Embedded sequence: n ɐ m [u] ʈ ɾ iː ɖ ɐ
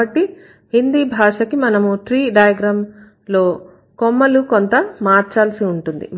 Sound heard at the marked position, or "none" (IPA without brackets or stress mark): u